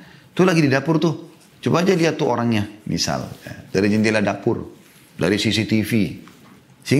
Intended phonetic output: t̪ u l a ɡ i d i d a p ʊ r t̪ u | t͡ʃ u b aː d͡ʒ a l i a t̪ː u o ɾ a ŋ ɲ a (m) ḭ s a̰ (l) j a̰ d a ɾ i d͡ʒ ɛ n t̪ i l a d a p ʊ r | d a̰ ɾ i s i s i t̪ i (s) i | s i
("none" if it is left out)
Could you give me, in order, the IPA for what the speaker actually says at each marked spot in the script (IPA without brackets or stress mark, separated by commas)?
m, l, f